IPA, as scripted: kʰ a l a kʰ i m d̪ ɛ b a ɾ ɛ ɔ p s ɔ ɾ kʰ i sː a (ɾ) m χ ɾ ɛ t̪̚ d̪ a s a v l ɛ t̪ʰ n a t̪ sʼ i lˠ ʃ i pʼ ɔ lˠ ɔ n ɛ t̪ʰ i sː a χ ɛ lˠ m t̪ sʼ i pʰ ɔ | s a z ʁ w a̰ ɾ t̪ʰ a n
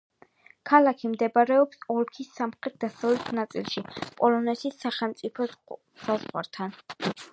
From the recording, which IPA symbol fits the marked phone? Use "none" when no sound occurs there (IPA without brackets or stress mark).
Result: none